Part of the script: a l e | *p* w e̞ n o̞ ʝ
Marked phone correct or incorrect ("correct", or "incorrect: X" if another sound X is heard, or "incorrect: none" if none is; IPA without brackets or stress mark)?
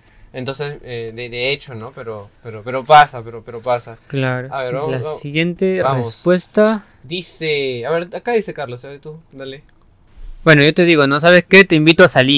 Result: incorrect: b